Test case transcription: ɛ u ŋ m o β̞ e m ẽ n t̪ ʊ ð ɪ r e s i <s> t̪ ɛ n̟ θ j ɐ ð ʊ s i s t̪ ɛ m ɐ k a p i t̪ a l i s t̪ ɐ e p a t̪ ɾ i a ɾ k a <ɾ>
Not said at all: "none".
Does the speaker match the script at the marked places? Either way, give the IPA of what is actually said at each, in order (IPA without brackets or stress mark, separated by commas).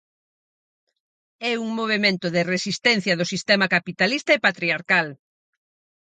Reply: s, l